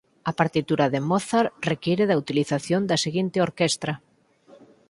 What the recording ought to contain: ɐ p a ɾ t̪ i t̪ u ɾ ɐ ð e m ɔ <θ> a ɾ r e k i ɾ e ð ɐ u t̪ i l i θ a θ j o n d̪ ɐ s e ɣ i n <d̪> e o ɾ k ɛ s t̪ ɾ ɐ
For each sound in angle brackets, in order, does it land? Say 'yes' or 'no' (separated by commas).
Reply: yes, no